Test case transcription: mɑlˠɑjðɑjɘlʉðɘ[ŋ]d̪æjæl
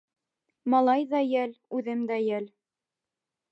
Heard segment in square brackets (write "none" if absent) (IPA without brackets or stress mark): m